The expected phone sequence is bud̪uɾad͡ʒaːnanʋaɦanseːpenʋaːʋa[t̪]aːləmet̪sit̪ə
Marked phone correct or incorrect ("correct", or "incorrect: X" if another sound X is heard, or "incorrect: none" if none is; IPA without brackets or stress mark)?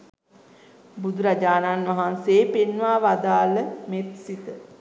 incorrect: d̪